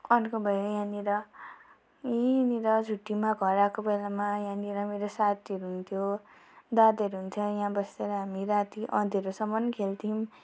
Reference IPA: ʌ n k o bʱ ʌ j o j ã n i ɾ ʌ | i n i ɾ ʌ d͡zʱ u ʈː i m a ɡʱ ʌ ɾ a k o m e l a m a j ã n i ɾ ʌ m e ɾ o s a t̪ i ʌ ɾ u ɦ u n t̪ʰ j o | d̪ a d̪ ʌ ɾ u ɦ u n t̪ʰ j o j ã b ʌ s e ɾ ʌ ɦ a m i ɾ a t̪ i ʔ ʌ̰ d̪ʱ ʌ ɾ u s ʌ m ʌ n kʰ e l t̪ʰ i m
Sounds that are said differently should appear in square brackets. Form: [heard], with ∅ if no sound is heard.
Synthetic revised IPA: ʌ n k o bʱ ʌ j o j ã n i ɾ ʌ | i n i ɾ ʌ d͡zʱ u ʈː i m a ɡʱ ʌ ɾ a k o [b] e l a m a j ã n i ɾ ʌ m e ɾ o s a t̪ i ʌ ɾ u ɦ u n t̪ʰ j o | d̪ a d̪ ʌ ɾ u ɦ u n t̪ʰ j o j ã b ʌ s e ɾ ʌ ɦ a m i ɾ a t̪ i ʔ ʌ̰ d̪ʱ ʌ ɾ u s ʌ m ʌ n kʰ e l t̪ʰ i m